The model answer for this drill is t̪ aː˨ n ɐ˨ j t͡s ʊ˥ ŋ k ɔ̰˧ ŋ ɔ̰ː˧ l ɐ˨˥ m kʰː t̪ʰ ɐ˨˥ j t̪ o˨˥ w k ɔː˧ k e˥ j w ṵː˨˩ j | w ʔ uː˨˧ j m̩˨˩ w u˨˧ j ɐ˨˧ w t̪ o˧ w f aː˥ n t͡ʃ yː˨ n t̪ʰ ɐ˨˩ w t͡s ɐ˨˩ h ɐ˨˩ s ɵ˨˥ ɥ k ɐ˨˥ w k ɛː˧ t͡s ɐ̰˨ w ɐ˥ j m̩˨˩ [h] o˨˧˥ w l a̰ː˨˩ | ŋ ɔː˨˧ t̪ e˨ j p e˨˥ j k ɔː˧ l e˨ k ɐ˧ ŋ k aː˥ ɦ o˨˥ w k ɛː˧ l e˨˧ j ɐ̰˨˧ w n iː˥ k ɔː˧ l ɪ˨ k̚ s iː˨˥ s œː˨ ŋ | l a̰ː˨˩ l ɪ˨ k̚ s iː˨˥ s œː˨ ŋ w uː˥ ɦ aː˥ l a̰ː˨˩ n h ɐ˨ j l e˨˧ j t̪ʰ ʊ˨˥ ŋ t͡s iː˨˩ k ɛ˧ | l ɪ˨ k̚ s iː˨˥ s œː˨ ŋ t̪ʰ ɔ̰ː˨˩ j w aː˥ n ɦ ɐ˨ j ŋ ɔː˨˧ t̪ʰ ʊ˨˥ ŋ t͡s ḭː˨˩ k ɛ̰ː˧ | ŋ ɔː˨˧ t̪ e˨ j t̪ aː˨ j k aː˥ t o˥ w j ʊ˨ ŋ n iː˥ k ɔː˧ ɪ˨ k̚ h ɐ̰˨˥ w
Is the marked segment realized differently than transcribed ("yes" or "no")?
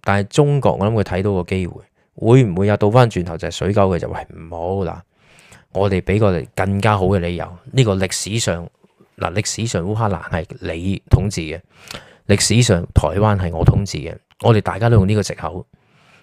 no